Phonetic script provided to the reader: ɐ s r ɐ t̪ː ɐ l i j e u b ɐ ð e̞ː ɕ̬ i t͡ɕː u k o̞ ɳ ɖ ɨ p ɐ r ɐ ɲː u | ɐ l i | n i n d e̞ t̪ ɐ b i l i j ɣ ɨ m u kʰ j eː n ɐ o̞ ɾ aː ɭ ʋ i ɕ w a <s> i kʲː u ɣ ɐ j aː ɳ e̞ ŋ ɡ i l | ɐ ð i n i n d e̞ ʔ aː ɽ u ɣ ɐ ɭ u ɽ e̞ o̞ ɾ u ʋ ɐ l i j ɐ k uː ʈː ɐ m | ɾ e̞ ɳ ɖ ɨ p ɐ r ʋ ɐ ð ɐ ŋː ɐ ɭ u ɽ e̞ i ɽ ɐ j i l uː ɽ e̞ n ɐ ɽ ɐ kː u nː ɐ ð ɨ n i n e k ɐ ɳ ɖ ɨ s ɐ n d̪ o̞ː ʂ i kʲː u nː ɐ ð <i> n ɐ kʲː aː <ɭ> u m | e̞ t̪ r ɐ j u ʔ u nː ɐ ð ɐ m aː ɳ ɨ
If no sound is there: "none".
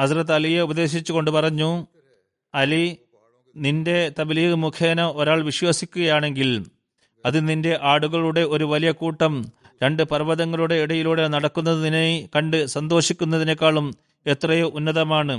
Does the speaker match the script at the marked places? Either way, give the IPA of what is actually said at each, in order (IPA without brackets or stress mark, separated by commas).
s, i, ɭ